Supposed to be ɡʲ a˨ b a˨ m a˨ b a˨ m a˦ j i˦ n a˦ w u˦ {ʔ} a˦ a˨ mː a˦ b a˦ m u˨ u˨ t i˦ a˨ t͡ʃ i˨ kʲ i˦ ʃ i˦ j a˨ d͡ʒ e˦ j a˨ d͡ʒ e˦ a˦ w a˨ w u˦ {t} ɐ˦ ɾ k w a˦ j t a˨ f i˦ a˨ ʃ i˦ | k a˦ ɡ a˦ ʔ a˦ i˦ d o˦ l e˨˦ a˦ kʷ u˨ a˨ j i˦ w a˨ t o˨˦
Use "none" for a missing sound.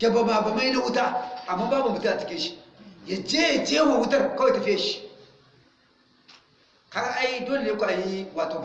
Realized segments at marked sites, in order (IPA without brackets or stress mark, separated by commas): t, t